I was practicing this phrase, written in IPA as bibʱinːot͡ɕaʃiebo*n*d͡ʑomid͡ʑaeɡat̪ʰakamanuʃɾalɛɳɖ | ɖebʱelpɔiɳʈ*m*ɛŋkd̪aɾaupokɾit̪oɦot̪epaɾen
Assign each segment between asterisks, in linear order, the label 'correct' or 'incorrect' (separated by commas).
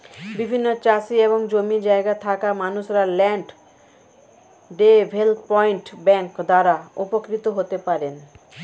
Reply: incorrect, incorrect